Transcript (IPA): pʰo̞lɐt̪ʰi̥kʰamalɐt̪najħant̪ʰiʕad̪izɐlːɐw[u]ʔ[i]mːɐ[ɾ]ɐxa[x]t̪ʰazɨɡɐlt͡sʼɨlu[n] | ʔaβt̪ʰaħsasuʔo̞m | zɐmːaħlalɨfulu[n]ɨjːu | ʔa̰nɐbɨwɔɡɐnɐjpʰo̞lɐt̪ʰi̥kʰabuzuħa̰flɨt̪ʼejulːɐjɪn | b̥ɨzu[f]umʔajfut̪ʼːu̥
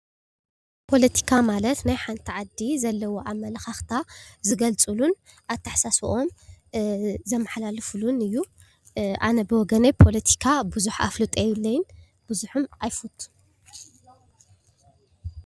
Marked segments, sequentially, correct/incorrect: incorrect: o, incorrect: a, incorrect: l, correct, correct, correct, incorrect: ħ

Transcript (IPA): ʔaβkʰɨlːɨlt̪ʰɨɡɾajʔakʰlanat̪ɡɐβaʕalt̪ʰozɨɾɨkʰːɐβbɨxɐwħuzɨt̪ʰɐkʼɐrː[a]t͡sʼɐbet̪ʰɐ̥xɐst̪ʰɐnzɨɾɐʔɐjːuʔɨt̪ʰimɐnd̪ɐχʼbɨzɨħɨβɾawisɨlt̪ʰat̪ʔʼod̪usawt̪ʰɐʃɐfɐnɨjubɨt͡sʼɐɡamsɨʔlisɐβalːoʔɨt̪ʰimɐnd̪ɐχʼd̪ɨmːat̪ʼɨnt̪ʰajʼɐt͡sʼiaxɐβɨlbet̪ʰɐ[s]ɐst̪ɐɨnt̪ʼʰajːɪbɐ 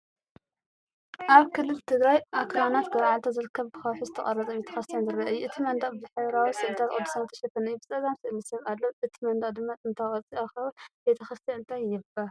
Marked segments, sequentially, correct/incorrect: incorrect: ɐ, incorrect: x

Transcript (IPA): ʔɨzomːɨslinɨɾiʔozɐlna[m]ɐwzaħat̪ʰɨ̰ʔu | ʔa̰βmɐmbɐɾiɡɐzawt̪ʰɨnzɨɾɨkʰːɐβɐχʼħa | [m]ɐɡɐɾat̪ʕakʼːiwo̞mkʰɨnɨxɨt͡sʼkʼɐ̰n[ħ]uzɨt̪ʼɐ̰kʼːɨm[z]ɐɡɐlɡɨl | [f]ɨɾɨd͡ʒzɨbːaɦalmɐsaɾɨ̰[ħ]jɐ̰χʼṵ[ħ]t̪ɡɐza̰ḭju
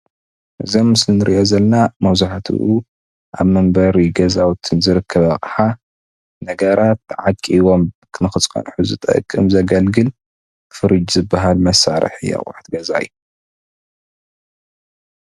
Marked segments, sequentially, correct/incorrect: correct, incorrect: n, correct, correct, correct, correct, correct

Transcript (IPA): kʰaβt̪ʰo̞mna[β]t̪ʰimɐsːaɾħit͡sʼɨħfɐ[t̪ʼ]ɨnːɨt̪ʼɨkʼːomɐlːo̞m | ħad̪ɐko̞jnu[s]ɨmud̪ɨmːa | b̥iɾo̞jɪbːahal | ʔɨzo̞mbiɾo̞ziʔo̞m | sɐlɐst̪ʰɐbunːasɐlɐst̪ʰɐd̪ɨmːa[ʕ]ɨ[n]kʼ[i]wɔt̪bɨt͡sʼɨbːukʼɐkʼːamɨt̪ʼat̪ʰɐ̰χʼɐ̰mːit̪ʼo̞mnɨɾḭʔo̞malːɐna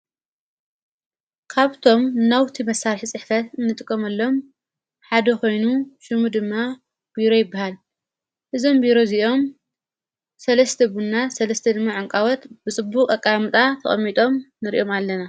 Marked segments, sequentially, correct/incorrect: incorrect: w, incorrect: t̪, incorrect: ʃ, correct, incorrect: ŋ, incorrect: a

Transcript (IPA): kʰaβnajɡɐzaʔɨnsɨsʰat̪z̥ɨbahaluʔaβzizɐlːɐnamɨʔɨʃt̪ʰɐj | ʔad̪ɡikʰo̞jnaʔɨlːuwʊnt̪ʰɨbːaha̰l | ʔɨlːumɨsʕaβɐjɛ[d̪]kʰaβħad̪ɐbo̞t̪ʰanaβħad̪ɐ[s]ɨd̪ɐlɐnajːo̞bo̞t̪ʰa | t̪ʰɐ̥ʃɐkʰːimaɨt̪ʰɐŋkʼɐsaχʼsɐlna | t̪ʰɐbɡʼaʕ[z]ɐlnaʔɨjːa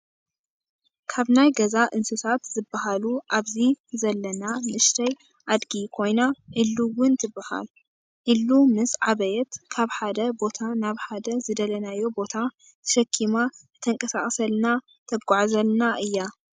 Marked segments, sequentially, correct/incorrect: incorrect: t̪, incorrect: z, correct

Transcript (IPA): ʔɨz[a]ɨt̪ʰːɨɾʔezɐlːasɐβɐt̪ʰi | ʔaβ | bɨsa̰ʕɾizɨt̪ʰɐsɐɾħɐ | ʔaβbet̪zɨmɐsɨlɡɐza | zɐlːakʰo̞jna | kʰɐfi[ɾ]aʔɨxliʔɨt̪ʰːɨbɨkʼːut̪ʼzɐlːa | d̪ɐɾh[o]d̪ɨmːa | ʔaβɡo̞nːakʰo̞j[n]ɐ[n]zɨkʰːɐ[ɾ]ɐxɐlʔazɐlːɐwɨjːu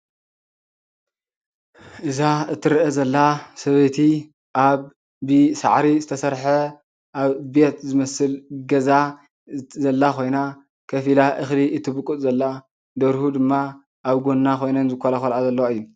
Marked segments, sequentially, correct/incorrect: correct, incorrect: l, incorrect: u, correct, correct, incorrect: l

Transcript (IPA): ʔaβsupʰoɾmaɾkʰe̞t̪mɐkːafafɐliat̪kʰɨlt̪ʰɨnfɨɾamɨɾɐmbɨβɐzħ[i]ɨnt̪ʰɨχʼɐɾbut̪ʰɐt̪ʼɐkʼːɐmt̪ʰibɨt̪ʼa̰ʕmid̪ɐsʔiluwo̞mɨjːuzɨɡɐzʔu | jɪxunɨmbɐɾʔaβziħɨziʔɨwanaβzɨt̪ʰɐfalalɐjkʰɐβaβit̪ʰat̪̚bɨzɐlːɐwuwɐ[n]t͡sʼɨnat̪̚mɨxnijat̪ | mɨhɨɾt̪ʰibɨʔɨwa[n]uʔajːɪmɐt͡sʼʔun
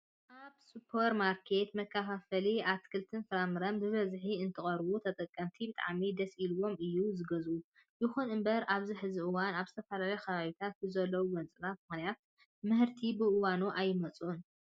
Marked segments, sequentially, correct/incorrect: correct, correct, correct

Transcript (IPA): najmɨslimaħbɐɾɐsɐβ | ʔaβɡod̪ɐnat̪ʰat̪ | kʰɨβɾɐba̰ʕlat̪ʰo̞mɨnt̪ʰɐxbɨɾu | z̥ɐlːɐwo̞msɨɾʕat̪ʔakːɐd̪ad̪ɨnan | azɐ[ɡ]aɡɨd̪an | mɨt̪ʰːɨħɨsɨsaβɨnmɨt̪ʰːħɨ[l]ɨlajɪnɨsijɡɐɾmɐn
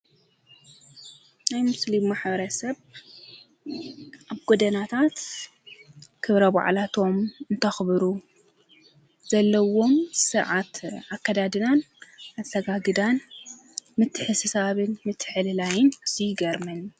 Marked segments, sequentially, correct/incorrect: correct, correct

